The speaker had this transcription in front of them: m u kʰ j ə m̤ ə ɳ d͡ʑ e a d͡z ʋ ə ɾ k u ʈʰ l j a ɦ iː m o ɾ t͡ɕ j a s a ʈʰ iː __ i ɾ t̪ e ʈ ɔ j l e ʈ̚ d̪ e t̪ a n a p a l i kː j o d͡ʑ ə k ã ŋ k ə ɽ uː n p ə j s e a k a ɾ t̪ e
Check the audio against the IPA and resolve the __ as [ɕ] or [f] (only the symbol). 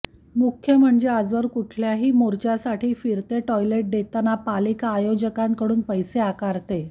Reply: f